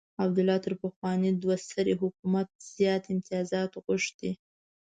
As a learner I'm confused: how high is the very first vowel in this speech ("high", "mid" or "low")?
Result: low